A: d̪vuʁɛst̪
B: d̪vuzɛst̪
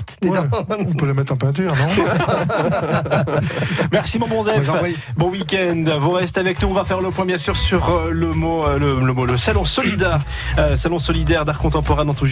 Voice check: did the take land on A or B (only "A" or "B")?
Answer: A